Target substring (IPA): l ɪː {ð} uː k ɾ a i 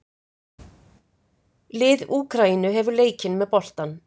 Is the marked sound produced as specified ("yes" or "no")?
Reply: yes